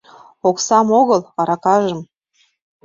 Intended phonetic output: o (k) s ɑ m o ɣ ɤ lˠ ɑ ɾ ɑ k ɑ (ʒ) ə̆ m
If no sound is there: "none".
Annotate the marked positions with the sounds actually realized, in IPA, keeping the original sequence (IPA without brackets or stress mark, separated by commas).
k, ʒ